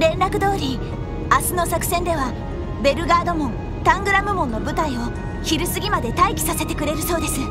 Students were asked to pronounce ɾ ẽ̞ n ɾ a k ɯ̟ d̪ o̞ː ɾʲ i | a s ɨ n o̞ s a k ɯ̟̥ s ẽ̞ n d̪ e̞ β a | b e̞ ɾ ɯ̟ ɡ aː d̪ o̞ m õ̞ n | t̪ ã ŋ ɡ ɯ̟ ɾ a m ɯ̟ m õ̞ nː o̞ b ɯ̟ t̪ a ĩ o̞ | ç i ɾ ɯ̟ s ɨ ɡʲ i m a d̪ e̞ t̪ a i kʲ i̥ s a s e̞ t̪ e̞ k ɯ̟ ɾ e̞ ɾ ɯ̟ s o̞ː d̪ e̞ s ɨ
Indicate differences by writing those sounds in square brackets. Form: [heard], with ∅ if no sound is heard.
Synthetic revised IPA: ɾ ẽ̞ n ɾ a k ɯ̟ d̪ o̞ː ɾʲ i | a s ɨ n o̞ s a k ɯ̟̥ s ẽ̞ n d̪ e̞ β a | b e̞ ɾ ɯ̟ ɡ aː d̪ o̞ m õ̞ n | t̪ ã ŋ ɡ ɯ̟ ɾ a m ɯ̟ m õ̞ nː o̞ b ɯ̟ t̪ a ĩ o̞ | ç i ɾ ɯ̟ s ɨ ɡʲ i m a d̪ e̞ t̪ a i kʲ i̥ s a s e̞ t̪ e̞ k ɯ̟ ɾ e̞ ɾ ɯ̟ s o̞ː d̪ e̞ s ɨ